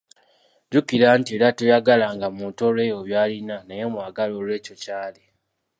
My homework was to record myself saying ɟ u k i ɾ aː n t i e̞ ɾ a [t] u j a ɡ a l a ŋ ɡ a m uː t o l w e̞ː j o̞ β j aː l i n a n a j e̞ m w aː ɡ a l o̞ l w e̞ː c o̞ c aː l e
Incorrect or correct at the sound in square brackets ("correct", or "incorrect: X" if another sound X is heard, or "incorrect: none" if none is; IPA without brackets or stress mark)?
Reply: correct